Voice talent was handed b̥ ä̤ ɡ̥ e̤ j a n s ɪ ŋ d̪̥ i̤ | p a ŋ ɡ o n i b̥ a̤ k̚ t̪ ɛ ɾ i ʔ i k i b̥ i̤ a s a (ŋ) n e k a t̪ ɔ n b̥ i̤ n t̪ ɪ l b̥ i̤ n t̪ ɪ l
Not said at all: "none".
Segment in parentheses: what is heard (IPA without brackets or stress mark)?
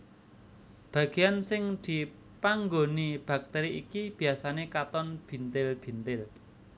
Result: none